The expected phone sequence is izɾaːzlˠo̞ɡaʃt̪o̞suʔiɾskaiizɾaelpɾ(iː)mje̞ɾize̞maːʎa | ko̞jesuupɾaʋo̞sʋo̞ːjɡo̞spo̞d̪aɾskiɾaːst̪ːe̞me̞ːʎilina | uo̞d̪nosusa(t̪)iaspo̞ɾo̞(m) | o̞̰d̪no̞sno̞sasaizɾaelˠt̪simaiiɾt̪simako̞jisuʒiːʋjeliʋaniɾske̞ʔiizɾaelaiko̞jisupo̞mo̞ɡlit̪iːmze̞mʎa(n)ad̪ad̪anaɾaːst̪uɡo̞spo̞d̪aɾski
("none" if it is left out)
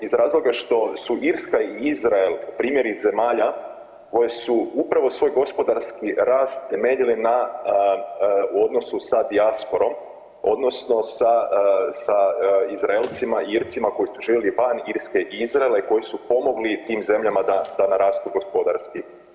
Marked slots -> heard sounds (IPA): iː, d̪, m, m

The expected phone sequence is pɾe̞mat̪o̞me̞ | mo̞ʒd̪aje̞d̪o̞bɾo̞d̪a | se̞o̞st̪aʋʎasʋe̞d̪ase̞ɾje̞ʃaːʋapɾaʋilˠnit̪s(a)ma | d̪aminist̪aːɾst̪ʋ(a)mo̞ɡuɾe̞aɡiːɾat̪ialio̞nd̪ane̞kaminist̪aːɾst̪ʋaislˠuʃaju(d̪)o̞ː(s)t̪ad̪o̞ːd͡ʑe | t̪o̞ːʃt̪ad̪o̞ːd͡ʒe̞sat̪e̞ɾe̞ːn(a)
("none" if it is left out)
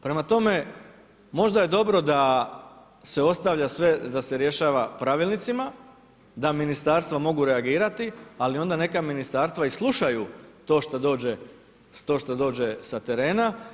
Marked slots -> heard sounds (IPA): i, a, t̪, ʃ, a

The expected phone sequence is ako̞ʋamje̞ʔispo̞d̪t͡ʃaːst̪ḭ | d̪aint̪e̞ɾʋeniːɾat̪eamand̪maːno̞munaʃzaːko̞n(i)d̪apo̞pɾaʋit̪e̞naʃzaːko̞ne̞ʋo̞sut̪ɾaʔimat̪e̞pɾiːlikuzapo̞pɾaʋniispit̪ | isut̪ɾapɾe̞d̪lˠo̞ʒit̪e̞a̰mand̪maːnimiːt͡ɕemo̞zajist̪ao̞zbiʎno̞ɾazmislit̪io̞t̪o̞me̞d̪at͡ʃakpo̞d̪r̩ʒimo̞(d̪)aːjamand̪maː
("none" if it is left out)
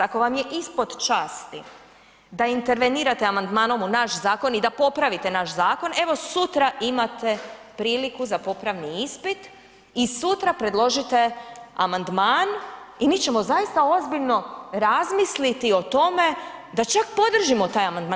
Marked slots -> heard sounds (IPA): i, t̪

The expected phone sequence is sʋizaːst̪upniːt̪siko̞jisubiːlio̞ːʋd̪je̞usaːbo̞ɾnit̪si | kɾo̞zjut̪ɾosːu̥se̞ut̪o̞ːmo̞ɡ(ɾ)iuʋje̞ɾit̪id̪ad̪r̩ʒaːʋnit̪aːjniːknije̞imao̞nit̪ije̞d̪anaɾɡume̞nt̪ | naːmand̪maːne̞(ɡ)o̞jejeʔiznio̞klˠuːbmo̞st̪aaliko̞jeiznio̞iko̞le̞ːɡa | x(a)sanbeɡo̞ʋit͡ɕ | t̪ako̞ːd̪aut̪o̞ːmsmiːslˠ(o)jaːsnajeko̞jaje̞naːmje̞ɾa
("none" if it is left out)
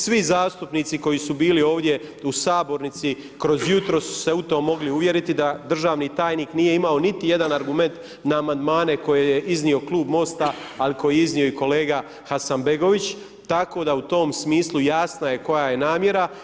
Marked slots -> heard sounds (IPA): l, k, a, u

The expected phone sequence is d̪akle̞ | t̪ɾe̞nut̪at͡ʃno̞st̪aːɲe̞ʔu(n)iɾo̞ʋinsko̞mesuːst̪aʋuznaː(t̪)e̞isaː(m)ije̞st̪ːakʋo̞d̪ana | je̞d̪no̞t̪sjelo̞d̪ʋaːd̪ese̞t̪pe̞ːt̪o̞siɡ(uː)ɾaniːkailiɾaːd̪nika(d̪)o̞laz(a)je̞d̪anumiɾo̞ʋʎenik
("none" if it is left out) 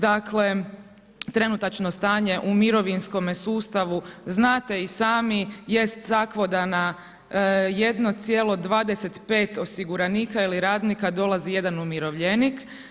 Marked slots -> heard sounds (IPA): m, t̪, m, u, d̪, i

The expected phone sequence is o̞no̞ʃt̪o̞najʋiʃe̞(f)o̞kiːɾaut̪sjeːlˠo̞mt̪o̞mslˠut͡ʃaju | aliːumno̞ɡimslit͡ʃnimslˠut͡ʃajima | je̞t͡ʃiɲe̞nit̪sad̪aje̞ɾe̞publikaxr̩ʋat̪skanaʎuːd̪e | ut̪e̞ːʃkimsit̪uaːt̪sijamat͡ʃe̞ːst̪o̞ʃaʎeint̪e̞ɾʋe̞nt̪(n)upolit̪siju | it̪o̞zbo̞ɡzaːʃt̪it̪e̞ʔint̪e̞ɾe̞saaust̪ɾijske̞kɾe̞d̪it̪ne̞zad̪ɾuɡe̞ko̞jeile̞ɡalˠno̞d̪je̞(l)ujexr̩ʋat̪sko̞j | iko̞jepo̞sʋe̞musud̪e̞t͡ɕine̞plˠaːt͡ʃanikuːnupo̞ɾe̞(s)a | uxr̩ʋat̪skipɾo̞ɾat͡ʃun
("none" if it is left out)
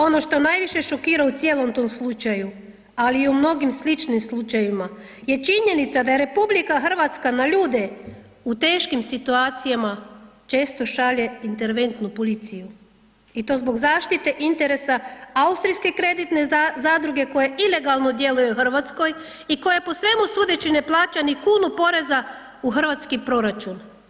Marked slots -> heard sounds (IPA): ʃ, n, l, z

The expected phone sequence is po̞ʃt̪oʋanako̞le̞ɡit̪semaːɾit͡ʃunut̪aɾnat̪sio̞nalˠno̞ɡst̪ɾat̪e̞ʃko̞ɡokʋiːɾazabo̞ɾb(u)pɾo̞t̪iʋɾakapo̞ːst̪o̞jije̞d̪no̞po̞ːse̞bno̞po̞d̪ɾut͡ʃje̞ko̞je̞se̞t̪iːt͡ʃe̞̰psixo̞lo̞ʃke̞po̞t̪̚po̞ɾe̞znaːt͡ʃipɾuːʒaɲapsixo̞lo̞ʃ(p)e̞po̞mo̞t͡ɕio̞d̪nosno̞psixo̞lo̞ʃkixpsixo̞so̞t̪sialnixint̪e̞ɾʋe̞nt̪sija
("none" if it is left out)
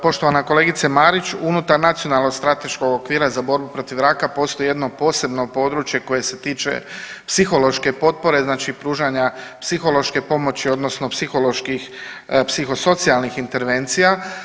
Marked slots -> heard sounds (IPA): u, k

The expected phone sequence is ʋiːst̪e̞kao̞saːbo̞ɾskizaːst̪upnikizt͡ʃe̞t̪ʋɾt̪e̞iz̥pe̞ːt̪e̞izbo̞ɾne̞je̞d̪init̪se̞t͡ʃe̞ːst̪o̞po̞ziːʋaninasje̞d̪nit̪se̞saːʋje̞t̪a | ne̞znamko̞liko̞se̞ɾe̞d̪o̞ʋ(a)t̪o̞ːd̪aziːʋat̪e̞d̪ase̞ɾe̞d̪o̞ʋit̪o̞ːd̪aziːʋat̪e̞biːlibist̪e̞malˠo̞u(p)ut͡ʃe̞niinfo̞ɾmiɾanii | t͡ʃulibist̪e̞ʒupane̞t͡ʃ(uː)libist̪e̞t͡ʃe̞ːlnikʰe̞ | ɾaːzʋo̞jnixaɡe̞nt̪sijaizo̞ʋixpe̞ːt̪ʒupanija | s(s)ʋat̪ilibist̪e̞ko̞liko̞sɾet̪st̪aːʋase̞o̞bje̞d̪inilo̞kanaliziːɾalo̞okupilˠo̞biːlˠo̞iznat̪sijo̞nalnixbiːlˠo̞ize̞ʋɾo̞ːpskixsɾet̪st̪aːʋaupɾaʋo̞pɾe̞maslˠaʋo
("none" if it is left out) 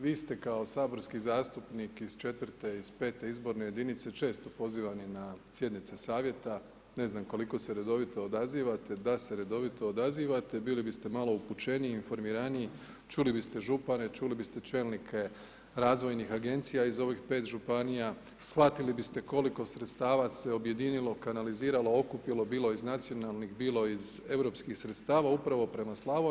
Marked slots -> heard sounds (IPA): i, p, u, x

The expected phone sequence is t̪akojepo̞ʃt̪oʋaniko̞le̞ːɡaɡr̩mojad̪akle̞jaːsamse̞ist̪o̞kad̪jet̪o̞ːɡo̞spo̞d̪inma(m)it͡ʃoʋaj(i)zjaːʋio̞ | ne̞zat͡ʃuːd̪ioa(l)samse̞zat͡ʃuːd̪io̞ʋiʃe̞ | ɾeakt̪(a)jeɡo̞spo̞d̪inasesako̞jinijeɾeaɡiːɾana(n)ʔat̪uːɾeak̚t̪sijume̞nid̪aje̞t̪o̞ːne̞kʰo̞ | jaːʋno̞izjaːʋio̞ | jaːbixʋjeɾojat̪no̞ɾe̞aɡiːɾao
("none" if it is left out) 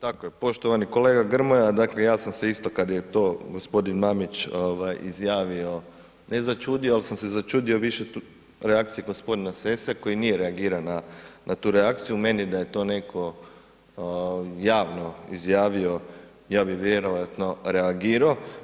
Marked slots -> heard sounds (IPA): m, i, l, i, n

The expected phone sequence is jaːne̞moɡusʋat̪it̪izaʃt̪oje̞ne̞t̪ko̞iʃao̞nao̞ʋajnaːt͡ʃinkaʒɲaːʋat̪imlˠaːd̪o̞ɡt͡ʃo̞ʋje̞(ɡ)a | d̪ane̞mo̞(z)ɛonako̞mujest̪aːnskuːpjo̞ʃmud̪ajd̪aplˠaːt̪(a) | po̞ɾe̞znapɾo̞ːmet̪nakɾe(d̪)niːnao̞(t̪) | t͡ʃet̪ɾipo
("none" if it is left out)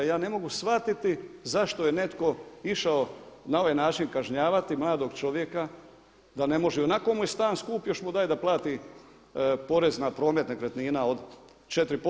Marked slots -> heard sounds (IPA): k, ʒ, i, t̪, d̪

